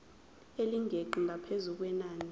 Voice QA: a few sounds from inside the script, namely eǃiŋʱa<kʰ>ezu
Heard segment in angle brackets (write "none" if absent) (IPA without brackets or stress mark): pʰ